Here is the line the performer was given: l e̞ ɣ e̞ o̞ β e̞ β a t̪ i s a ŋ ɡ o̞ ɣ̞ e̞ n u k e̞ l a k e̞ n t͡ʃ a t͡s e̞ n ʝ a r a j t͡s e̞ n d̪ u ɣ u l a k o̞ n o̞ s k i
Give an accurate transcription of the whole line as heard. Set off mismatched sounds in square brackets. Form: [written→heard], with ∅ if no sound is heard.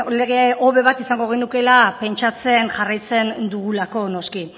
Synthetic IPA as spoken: l e̞ ɣ e̞ o̞ β e̞ β a t̪ i s a ŋ ɡ o̞ ɣ̞ e̞ n u k e̞ l a [k→p] e̞ n t͡ʃ a t͡s e̞ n ʝ a r a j t͡s e̞ n d̪ u ɣ u l a k o̞ n o̞ s k i